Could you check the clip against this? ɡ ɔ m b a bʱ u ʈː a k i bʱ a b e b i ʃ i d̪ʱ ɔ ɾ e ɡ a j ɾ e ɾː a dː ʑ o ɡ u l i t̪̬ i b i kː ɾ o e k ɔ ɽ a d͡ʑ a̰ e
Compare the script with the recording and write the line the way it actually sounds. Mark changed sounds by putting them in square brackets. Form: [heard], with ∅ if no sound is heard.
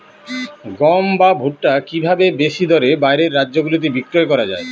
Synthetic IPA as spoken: ɡ ɔ m b a bʱ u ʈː a k i bʱ a b e b [e] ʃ i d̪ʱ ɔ ɾ e [b] a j ɾ e ɾː a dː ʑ o ɡ u l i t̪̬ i b i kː ɾ o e k ɔ [ɾ] a d͡ʑ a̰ e